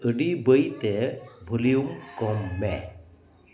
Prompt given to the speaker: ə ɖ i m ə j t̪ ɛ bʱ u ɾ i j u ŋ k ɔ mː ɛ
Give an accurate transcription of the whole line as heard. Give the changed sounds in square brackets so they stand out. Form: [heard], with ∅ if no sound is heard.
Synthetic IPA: ə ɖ i [b] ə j t̪ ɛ bʱ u [l] i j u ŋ k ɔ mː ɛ